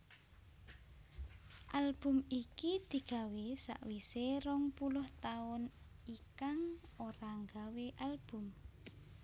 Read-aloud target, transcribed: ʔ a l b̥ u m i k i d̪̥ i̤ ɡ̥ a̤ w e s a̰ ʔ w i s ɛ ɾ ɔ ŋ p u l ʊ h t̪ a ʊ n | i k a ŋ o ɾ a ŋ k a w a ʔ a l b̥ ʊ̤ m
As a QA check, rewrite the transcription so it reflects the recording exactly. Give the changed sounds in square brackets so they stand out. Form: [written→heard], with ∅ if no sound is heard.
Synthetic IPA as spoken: ʔ a l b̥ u m i k i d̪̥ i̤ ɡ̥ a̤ w e s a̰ ʔ w i s [ɛ→e] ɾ ɔ ŋ p u l ʊ h t̪ a ʊ n | i k a ŋ o ɾ a ŋ [k→ɡ] a w [a→e] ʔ a l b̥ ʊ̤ m